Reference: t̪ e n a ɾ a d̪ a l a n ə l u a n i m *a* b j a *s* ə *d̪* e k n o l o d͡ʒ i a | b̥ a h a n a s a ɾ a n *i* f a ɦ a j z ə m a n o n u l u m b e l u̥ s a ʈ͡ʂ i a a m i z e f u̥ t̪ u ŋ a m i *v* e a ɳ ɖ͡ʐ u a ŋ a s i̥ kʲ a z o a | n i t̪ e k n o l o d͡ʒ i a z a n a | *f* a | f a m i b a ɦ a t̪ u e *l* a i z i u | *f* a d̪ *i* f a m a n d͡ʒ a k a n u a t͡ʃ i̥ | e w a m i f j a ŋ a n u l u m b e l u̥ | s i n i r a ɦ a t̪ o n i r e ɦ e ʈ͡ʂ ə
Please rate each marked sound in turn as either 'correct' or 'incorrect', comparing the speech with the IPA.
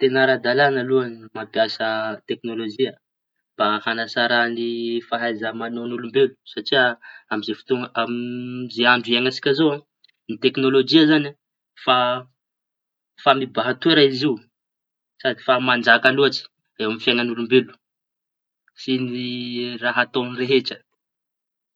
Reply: correct, correct, incorrect, correct, incorrect, correct, incorrect, incorrect, correct

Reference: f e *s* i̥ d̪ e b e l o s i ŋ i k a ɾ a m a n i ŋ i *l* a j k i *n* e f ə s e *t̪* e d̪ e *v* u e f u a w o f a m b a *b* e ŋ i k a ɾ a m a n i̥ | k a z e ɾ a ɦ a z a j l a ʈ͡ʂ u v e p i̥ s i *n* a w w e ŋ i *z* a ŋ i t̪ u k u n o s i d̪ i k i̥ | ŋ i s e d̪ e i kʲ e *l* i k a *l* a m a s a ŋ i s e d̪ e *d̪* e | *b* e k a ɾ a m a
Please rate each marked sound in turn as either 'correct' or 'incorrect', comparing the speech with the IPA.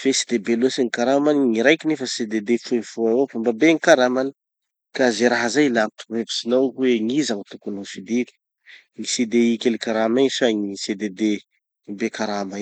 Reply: correct, incorrect, correct, incorrect, incorrect, correct, correct, correct, correct, incorrect, correct, correct

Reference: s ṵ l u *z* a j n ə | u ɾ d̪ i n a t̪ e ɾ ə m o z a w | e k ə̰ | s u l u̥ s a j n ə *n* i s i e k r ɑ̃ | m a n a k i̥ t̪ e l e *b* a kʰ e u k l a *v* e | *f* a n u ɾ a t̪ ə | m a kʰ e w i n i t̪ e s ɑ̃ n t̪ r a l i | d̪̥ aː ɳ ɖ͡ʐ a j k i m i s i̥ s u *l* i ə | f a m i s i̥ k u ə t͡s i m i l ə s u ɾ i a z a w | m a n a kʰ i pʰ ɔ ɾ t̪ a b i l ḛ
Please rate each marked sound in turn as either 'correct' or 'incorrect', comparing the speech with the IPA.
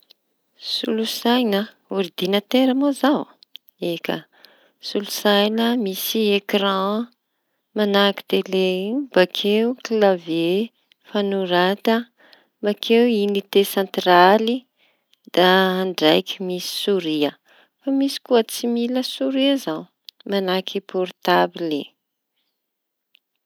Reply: incorrect, incorrect, correct, correct, correct, incorrect

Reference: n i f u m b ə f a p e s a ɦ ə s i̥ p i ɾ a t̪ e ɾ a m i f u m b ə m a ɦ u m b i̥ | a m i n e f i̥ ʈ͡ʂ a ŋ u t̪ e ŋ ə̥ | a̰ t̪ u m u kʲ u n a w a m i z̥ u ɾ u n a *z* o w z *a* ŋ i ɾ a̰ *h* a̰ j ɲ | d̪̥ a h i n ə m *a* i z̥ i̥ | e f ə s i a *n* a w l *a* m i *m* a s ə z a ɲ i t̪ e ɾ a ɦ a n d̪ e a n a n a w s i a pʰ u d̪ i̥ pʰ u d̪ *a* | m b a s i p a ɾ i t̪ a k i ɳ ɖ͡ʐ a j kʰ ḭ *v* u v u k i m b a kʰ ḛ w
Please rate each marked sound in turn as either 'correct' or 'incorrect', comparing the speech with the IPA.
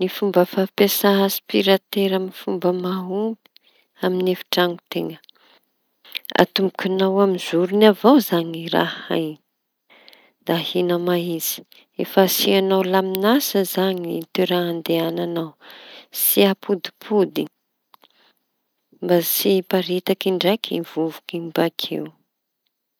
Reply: incorrect, correct, correct, correct, correct, correct, incorrect, incorrect, correct

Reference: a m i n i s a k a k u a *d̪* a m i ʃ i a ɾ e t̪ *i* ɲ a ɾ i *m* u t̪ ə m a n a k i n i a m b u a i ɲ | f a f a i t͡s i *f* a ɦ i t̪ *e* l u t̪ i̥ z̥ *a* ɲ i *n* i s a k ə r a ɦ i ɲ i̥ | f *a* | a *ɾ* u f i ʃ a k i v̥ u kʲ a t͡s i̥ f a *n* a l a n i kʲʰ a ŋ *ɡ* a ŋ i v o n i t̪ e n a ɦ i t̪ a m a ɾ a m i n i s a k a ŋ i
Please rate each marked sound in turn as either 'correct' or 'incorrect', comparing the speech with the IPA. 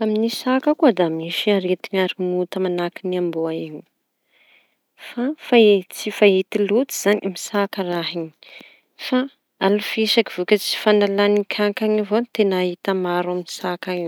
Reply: correct, correct, correct, correct, incorrect, correct, incorrect, correct, incorrect, correct, incorrect

